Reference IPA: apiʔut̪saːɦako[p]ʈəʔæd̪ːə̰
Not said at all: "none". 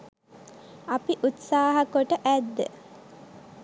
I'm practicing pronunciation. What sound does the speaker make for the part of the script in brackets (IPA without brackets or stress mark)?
none